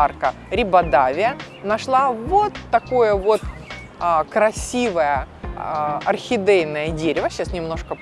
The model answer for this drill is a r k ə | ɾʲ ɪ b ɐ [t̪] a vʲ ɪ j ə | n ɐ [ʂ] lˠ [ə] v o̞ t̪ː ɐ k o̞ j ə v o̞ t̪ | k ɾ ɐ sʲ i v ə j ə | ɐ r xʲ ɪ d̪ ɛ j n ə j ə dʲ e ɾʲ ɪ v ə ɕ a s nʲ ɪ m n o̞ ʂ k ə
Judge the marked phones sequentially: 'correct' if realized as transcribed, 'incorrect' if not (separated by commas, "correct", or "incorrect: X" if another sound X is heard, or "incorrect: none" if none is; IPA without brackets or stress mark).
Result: incorrect: d̪, correct, incorrect: a